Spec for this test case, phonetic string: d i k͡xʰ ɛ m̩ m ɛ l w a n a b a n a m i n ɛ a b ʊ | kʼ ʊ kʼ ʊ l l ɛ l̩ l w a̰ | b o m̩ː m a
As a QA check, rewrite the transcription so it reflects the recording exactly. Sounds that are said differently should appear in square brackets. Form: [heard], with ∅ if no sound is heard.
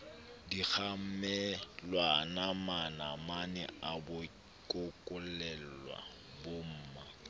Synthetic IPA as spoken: d i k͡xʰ [a] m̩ m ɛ l w a n a [m] a n a m [a] n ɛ a b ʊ | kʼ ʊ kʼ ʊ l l ɛ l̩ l w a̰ | b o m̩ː m a

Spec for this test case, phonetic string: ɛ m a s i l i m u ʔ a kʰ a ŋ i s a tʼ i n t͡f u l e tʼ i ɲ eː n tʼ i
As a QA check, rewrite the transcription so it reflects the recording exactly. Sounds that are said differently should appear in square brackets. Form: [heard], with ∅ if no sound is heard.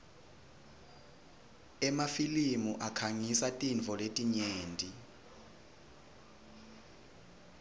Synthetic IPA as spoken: ɛ m a [f] i l i m u ʔ a kʰ a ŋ i s a tʼ i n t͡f [ɔ] l e tʼ i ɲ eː n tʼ i

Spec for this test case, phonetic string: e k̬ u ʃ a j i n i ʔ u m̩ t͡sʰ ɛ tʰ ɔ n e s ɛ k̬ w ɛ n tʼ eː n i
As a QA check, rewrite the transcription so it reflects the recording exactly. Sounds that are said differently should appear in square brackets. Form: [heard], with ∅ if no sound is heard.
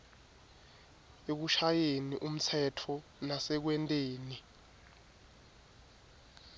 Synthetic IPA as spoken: e k̬ u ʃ a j [e] n i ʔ u m̩ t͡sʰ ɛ tʰ ɔ n [a] s ɛ k̬ w ɛ n tʼ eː n i

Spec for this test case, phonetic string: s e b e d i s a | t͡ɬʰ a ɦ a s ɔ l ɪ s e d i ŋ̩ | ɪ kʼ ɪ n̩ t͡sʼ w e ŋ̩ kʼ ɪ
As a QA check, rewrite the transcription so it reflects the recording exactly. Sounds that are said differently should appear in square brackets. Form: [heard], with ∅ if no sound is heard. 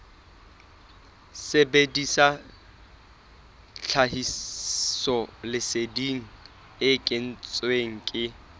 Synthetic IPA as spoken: s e b e d i s a | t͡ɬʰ a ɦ [i] s ɔ l ɪ s e d i ŋ̩ | ɪ kʼ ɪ n̩ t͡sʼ w e ŋ̩ kʼ ɪ

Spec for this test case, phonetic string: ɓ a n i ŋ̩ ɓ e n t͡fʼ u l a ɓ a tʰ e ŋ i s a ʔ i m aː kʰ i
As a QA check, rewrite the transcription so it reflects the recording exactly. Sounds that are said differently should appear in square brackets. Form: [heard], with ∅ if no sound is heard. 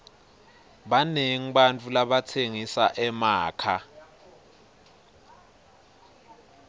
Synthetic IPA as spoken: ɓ a n [e] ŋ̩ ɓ [a] n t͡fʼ u l a ɓ a tʰ e ŋ i s a ʔ [ɛ] m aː kʰ [a]

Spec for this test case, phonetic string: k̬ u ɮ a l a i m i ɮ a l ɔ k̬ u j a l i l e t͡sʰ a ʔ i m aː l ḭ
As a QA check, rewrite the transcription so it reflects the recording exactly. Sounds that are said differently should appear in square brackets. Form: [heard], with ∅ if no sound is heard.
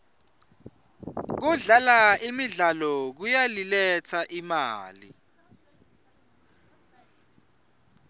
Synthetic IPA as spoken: k̬ u ɮ a l a i m i ɮ a l ɔ k̬ u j a l i l [ɛ] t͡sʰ a ʔ i m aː l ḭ

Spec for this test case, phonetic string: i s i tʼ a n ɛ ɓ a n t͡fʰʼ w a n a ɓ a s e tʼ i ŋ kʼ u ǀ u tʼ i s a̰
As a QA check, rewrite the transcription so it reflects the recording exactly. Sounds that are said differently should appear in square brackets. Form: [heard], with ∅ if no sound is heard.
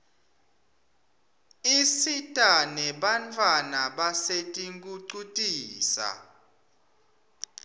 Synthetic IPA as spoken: i s i tʼ a n ɛ ɓ a n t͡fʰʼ w a n a ɓ a s e tʼ i ŋ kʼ u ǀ u tʼ [iː] s a̰

